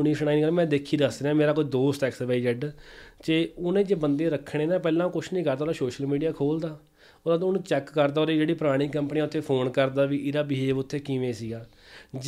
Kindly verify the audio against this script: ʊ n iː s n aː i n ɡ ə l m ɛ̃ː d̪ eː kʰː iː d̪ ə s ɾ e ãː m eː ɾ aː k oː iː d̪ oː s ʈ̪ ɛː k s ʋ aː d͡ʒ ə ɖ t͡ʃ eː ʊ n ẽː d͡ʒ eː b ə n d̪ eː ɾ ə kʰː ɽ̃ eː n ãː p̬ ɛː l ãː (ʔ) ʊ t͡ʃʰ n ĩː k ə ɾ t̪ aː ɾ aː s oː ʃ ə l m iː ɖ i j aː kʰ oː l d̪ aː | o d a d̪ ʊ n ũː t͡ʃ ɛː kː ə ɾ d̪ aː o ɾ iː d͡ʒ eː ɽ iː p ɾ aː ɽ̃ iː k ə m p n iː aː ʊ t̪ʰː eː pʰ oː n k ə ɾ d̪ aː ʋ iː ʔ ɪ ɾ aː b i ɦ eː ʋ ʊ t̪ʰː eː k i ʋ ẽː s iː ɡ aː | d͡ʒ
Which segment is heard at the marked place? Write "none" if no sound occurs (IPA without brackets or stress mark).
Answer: k